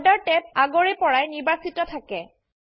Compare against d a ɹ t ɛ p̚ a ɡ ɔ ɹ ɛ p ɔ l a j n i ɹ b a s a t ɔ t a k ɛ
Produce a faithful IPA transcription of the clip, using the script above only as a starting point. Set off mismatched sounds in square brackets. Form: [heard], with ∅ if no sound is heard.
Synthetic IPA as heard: d a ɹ t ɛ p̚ a ɡ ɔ ɹ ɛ p ɔ [ɹ] a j n i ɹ b a s [i] t ɔ [tʰ] a k ɛ